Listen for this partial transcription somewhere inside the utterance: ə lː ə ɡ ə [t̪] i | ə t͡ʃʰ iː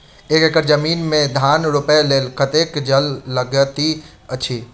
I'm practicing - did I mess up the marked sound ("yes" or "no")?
no